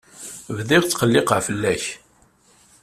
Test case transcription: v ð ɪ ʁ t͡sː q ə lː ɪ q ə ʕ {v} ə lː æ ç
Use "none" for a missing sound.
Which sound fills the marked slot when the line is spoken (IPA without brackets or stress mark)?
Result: f